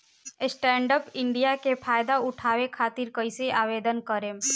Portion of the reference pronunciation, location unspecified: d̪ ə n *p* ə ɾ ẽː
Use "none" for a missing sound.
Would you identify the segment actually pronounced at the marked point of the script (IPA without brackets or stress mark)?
k